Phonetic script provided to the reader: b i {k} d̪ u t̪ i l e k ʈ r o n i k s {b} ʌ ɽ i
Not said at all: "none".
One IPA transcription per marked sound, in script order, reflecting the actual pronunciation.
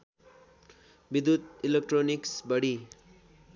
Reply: none, b

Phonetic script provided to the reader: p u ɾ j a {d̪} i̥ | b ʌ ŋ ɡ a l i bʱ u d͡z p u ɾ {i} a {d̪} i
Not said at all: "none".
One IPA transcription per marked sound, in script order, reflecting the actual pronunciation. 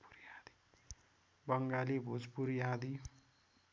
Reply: d̪, j, d̪

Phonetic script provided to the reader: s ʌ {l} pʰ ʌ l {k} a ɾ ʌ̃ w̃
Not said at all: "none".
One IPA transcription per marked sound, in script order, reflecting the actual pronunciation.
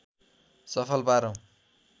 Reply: none, p

